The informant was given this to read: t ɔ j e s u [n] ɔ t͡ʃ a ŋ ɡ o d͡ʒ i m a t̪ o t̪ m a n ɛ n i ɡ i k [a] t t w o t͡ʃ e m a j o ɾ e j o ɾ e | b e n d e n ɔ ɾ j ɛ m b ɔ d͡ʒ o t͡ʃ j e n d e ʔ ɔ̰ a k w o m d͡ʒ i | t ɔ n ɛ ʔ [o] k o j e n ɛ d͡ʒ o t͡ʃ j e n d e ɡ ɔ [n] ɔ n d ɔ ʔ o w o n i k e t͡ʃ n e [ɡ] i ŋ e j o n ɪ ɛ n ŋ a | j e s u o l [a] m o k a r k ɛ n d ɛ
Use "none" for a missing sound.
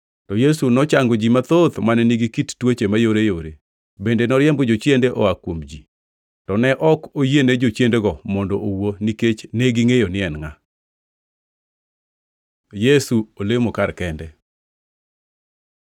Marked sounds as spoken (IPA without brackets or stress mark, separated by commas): n, i, ɔ, m, ɡ, e